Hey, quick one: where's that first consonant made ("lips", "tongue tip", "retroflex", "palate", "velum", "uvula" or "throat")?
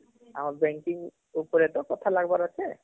lips